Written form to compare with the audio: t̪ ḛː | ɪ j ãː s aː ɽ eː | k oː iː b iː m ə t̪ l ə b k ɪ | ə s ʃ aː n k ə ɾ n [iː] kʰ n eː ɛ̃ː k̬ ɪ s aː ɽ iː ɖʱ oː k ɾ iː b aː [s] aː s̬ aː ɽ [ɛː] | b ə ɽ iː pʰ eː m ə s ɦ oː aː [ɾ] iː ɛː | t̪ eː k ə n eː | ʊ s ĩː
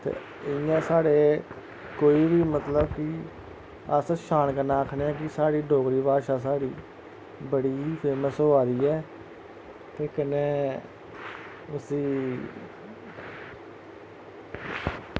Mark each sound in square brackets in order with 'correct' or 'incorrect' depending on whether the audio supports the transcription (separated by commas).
incorrect, incorrect, incorrect, correct